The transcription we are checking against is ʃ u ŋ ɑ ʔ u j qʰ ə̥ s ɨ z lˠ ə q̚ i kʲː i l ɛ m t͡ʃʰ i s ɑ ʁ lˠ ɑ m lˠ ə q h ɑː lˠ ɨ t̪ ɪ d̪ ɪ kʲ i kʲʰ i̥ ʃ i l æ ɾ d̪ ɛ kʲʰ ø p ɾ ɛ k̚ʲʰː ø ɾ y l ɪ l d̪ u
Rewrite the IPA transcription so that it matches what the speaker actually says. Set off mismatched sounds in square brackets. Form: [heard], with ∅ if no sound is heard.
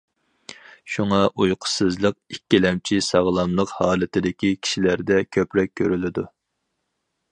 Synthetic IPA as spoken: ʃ u ŋ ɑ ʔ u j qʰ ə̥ s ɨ z lˠ ə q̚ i kʲː i l ɛ m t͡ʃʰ i s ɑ ʁ lˠ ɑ m lˠ ə q h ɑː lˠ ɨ t̪ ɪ d̪ ɪ kʲ i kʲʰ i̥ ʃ i l æ ɾ d̪ ɛ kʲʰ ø p ɾ ɛ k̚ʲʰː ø ɾ y l ɪ [∅] d̪ u

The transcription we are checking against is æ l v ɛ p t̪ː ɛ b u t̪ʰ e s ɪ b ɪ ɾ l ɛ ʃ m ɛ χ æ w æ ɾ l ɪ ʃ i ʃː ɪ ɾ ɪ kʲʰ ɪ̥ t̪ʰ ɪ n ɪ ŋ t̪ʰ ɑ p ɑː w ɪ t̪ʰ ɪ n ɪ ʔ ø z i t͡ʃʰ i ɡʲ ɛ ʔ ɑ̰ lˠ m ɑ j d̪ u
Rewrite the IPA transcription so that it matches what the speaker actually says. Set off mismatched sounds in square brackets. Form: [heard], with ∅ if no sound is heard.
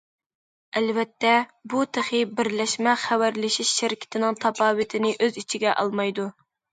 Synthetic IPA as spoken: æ l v ɛ [∅] t̪ː ɛ b u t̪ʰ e [χ] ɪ b ɪ ɾ l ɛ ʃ m ɛ χ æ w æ ɾ l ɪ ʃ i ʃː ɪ ɾ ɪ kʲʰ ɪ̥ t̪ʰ ɪ n ɪ ŋ t̪ʰ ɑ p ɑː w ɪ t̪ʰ ɪ n ɪ ʔ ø z i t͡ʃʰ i ɡʲ ɛ ʔ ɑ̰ lˠ m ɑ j d̪ u

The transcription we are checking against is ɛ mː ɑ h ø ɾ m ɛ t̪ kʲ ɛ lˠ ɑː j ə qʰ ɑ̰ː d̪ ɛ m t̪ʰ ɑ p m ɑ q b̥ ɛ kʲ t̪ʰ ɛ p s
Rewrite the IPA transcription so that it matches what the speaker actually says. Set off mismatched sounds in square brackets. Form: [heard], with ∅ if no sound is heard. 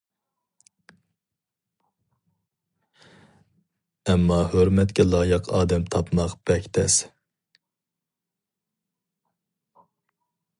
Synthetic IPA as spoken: ɛ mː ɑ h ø ɾ m ɛ t̪ kʲ ɛ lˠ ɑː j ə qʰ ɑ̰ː d̪ ɛ m t̪ʰ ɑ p m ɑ q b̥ ɛ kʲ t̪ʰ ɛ [∅] s

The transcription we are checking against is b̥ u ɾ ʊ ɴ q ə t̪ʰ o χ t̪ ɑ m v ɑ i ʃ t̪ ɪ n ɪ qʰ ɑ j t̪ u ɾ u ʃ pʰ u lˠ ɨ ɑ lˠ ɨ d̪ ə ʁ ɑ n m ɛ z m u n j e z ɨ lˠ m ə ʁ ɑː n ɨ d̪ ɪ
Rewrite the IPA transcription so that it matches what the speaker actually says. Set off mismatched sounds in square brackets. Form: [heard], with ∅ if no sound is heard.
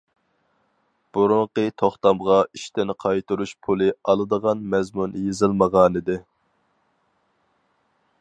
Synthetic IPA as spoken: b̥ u ɾ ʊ ɴ q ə t̪ʰ o χ t̪ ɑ m [ʁ] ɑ i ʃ t̪ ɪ n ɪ qʰ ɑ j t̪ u ɾ u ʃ pʰ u lˠ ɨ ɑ lˠ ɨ d̪ ə ʁ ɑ n m ɛ z m u n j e z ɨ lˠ m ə ʁ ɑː n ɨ d̪ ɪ

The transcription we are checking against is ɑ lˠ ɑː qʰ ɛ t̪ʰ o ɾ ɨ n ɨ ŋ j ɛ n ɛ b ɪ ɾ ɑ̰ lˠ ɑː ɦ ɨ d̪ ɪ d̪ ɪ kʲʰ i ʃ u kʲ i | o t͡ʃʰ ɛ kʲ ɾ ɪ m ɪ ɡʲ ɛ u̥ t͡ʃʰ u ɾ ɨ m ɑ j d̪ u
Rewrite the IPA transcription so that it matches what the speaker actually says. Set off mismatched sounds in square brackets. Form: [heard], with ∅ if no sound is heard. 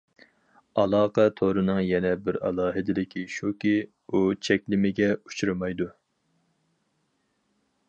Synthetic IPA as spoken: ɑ lˠ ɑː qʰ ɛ t̪ʰ o ɾ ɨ n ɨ ŋ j ɛ n ɛ b ɪ ɾ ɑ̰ lˠ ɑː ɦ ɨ d̪ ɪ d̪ ɪ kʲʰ i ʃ u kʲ i | [u] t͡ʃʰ ɛ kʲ [l] ɪ m ɪ ɡʲ ɛ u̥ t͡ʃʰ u ɾ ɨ m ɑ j d̪ u

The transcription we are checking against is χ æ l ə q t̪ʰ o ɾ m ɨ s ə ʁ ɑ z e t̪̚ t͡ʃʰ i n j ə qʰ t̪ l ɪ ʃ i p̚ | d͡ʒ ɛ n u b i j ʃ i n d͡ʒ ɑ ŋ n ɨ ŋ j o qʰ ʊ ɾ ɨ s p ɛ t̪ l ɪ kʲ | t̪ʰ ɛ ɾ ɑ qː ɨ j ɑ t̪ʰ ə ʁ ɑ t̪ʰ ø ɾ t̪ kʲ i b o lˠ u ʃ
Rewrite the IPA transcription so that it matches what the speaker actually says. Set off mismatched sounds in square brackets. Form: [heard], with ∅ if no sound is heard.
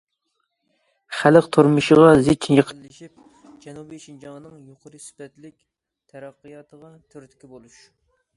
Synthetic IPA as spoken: χ æ l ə q t̪ʰ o ɾ m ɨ [ʃ] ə ʁ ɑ z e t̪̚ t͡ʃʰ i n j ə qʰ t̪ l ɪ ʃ i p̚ | d͡ʒ ɛ n u b i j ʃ i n d͡ʒ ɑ ŋ n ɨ ŋ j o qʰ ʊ ɾ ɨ s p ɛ t̪ l ɪ kʲ | t̪ʰ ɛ ɾ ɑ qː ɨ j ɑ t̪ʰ ə ʁ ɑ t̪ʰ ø ɾ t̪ kʲ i b o lˠ u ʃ

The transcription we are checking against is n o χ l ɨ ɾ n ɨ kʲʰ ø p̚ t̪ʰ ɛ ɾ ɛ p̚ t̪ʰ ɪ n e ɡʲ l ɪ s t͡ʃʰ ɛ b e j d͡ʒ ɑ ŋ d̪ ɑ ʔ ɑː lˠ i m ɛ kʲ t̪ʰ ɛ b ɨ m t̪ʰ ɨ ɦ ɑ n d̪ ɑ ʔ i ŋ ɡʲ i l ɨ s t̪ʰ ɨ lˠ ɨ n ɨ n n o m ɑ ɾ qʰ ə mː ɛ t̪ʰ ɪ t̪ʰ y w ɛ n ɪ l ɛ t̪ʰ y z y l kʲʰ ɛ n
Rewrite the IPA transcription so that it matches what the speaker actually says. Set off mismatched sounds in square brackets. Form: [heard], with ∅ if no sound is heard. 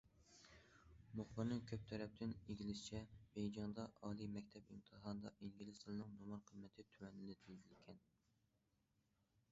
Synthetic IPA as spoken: [m] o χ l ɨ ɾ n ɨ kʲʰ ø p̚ t̪ʰ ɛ ɾ ɛ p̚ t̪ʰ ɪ n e ɡʲ l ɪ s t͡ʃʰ ɛ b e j d͡ʒ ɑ ŋ d̪ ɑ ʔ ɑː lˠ i m ɛ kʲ t̪ʰ ɛ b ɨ m t̪ʰ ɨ ɦ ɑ n d̪ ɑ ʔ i ŋ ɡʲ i l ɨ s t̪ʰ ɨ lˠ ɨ n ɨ [ŋ] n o m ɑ ɾ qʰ ə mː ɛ t̪ʰ ɪ t̪ʰ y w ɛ n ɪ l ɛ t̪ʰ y z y l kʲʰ ɛ n

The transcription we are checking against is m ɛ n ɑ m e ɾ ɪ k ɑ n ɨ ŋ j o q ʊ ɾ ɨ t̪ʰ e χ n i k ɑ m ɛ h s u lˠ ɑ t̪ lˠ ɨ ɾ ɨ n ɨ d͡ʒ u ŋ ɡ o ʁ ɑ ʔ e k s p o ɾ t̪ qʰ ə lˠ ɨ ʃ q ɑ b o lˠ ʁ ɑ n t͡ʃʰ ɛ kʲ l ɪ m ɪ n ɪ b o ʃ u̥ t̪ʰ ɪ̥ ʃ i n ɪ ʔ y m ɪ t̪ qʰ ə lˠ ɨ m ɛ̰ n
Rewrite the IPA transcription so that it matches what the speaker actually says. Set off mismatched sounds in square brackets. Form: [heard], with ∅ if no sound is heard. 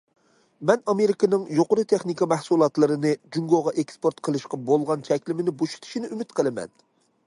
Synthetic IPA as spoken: m ɛ n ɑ m e ɾ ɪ k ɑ n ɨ ŋ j o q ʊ ɾ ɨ t̪ʰ e χ n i k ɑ m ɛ h s u lˠ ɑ t̪ lˠ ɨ ɾ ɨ n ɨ d͡ʒ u ŋ ɡ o ʁ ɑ ʔ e k s p o ɾ t̪ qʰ ə lˠ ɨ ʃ q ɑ b o lˠ ʁ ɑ n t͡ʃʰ ɛ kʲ l ɪ m ɪ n ɪ b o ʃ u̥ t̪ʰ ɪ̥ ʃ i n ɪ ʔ y m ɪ t̪ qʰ ə lˠ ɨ m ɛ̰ n

